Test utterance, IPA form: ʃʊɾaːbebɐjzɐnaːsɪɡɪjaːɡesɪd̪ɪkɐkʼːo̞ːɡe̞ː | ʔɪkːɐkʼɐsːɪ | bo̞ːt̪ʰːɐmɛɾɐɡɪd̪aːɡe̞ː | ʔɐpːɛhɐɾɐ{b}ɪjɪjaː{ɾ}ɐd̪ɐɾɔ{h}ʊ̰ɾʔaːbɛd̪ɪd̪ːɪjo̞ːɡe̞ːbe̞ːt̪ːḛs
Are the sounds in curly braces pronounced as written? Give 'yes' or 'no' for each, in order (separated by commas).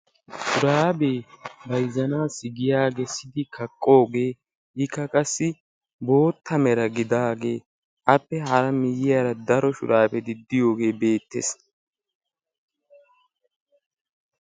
no, yes, no